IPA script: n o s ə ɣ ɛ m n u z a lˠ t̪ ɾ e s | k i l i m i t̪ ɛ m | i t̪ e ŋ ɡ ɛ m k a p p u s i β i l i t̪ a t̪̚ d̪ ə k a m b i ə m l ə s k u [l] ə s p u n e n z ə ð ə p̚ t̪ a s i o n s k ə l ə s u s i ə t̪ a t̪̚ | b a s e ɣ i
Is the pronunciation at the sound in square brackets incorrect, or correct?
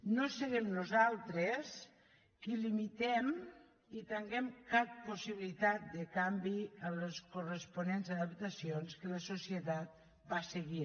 incorrect